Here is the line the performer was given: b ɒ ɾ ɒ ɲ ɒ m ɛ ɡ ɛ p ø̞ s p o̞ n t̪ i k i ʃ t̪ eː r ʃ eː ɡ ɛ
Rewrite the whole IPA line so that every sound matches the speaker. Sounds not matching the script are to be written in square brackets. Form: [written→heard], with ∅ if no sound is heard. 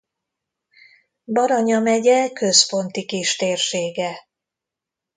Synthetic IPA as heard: b ɒ ɾ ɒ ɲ ɒ m ɛ [ɡ→ɟ] ɛ [p→k] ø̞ s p o̞ n t̪ i k i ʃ t̪ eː r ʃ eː ɡ ɛ